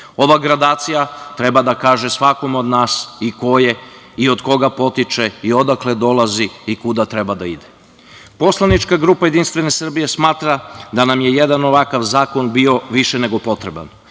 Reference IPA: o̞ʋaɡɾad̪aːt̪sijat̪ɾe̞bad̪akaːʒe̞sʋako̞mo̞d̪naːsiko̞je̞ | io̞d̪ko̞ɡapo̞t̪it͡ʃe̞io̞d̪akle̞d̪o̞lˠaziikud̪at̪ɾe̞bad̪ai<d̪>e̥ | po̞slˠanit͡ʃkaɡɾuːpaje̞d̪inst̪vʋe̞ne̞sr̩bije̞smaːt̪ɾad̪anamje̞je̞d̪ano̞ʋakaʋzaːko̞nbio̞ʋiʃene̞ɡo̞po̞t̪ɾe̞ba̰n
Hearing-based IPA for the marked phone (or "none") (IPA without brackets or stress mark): d̪